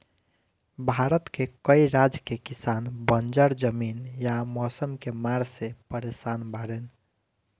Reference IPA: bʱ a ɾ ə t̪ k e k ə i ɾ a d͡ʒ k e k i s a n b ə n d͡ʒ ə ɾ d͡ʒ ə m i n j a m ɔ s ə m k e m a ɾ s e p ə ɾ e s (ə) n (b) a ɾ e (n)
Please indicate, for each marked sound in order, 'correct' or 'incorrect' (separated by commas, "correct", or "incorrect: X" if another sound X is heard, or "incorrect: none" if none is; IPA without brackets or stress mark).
incorrect: a, correct, correct